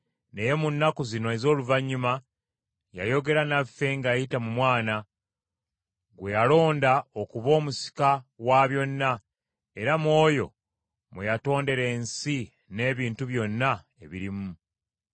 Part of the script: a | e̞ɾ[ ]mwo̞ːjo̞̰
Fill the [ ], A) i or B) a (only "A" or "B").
B